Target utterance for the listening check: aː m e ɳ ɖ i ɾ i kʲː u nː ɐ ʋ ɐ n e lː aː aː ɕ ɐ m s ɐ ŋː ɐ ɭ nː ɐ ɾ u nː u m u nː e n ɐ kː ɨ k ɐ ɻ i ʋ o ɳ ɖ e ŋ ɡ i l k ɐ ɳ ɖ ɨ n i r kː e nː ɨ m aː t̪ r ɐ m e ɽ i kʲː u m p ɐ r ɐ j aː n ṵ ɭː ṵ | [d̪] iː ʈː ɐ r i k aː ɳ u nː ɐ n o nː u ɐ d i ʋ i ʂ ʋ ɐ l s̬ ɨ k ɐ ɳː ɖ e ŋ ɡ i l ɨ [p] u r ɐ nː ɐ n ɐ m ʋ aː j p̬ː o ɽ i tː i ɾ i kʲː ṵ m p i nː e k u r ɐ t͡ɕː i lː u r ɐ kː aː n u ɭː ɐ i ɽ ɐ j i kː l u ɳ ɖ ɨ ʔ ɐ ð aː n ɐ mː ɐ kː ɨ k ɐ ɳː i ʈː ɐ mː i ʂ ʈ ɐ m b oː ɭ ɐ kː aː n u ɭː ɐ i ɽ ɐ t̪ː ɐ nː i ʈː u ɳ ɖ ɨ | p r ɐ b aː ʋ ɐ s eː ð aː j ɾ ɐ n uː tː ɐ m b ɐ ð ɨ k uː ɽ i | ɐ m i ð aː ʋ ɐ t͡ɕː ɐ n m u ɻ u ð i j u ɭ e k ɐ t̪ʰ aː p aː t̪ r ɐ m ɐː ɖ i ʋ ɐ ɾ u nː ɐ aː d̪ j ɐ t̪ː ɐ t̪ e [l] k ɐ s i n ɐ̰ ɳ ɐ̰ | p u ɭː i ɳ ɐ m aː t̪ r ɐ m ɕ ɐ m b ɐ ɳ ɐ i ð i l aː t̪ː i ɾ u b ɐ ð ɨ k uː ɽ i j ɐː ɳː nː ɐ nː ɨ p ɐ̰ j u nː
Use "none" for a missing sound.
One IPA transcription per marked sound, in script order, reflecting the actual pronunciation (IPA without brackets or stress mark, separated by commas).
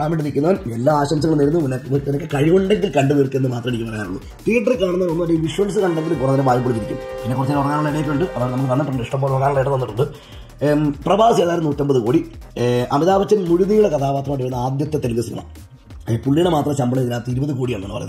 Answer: t̪, k, l